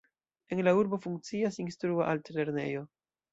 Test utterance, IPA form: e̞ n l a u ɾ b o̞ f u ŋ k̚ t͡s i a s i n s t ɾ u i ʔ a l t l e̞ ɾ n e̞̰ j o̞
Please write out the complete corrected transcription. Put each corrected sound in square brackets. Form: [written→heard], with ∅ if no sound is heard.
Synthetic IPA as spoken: e̞ n l a u ɾ b o̞ f u ŋ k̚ t͡s i a s i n s t ɾ u [i→a] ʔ a l t l e̞ ɾ n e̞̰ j o̞